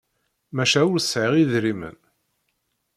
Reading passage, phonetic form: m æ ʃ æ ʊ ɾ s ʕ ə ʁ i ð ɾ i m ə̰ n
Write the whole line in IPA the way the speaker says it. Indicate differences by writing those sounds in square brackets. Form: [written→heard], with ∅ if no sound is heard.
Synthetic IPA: m æ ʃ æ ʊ ɾ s ʕ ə ʁ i ð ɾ i m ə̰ n